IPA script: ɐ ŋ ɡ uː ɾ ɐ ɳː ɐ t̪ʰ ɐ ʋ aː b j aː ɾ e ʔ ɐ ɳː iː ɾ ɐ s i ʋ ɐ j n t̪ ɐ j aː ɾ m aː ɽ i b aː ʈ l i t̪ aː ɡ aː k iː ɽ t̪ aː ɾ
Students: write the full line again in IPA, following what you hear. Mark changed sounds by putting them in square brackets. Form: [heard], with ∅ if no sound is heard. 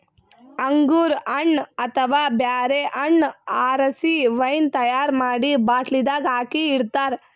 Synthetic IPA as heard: ɐ ŋ ɡ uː ɾ ɐ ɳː ɐ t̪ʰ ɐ ʋ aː b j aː ɾ e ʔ ɐ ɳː [aː] ɾ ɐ s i ʋ ɐ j n t̪ ɐ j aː ɾ m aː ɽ i b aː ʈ l i [d̪] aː ɡ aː k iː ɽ t̪ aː ɾ